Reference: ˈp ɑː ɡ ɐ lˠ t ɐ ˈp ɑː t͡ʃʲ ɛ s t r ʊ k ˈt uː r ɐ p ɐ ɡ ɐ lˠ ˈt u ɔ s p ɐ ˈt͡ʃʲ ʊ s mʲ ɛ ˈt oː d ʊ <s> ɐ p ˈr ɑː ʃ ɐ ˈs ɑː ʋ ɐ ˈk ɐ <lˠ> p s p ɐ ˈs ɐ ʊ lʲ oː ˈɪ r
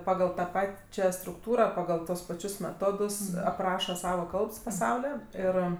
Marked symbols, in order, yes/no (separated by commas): yes, yes